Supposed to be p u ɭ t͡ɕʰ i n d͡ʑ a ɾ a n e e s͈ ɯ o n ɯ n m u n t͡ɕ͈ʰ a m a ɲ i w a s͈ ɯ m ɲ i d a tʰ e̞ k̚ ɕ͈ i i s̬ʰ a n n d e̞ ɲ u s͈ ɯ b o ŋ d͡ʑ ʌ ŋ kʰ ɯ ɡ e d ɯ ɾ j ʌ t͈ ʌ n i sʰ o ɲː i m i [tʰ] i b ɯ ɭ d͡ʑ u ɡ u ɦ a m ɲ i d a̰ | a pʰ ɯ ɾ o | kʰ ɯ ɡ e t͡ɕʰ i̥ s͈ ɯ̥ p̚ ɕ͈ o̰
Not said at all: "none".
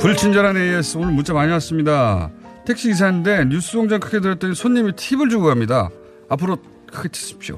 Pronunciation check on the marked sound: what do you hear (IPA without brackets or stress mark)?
tʰ